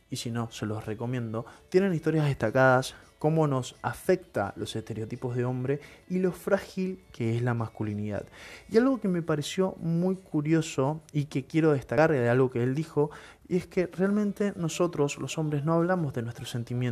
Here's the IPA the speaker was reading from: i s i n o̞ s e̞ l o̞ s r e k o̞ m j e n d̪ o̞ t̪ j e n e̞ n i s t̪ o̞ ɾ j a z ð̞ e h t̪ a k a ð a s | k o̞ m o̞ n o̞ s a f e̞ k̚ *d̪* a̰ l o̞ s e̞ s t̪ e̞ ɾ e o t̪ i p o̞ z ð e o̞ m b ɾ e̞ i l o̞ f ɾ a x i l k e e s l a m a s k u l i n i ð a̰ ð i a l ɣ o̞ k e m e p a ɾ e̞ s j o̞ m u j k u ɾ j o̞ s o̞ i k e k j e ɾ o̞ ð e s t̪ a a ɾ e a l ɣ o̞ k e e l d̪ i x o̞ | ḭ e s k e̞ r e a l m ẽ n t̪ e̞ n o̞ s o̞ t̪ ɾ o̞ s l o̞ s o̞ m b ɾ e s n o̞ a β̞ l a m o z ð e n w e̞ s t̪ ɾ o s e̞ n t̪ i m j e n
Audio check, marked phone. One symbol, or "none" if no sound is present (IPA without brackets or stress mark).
t̪